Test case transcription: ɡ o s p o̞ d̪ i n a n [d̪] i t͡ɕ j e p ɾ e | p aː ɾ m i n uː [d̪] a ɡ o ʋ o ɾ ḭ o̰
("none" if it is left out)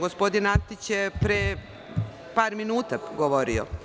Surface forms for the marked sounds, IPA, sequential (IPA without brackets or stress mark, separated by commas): t̪, t̪